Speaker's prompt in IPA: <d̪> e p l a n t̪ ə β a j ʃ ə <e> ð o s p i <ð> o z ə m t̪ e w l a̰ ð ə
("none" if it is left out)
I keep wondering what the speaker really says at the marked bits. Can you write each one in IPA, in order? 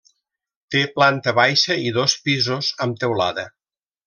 t̪, i, z

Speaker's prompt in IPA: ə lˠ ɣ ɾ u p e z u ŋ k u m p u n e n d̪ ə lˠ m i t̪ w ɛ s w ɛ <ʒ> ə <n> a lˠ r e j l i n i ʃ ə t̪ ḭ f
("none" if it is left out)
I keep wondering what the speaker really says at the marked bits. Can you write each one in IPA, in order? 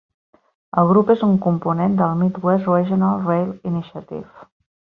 ʒ, n

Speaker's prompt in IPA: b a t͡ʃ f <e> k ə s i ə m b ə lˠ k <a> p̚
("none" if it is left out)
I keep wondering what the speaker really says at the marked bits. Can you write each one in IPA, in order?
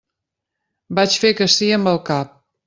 e, a

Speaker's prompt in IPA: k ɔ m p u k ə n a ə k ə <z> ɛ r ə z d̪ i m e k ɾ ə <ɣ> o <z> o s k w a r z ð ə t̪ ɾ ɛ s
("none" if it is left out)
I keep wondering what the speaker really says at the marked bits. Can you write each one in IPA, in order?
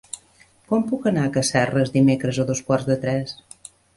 s, z, ð

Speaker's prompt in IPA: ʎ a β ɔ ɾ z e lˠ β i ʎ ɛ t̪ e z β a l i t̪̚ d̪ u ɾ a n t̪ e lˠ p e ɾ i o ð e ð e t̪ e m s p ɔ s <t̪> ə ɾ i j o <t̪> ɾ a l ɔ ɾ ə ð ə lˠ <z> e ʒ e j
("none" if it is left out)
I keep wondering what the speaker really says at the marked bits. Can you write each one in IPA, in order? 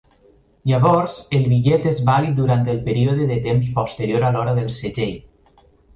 t̪, none, s

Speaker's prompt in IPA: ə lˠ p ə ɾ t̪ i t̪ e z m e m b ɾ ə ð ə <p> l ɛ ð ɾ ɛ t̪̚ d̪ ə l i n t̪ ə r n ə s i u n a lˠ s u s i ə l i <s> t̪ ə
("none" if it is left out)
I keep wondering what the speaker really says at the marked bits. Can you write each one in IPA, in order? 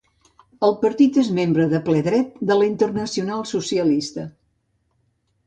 p, s

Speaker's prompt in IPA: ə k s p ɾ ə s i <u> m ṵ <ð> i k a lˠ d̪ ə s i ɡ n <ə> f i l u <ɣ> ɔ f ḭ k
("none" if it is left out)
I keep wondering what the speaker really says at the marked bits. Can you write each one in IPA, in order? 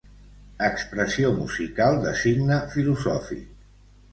o, z, ə, z

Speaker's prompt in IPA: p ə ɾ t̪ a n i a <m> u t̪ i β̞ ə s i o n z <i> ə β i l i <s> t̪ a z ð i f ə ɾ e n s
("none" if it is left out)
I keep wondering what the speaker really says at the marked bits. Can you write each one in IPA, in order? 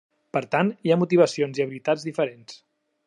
m, i, none

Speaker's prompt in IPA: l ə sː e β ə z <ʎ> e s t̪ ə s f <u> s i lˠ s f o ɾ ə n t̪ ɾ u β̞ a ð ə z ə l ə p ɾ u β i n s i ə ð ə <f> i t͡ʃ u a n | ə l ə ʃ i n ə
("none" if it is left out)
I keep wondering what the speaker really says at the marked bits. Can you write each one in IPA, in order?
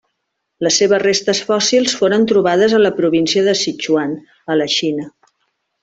r, ɔ, s

